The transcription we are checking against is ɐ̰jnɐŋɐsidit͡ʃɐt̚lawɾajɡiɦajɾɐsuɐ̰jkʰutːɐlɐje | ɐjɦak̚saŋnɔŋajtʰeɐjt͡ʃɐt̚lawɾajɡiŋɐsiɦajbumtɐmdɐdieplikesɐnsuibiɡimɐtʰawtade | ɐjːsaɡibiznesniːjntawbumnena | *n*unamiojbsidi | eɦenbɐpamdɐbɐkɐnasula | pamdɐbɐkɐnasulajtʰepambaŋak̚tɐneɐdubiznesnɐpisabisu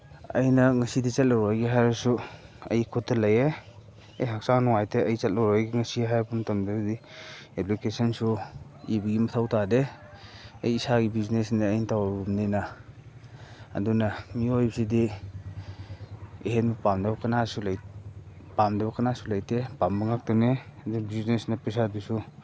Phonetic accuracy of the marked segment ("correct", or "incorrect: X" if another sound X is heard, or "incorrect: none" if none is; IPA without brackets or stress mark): incorrect: d